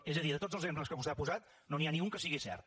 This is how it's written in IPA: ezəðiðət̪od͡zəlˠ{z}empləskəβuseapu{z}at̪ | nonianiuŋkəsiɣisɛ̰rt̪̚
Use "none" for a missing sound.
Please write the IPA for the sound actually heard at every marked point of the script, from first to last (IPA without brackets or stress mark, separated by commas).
z, z